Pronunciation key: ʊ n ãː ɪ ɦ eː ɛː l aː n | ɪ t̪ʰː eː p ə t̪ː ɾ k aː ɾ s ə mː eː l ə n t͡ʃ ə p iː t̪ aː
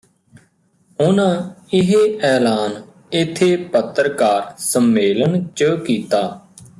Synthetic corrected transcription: ʊ n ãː ɪ ɦ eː ɛː l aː n | ɪ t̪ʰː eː p ə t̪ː ɾ k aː ɾ s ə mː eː l ə n t͡ʃ ə k iː t̪ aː